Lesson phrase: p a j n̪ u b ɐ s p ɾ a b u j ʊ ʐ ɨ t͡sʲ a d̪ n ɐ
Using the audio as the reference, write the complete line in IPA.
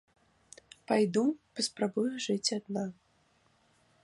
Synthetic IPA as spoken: p a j d̪ u p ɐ s p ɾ a b u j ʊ ʐ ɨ t͡sʲ a d̪ n a